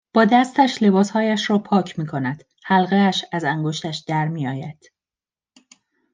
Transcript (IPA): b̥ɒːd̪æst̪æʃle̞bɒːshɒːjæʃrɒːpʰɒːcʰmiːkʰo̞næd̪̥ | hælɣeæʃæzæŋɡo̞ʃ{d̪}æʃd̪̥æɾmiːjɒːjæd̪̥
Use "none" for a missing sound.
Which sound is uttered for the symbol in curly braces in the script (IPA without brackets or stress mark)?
t̪